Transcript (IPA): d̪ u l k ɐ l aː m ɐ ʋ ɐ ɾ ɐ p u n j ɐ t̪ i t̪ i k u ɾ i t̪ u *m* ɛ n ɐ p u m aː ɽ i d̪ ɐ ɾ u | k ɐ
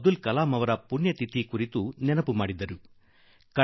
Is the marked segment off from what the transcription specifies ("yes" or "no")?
yes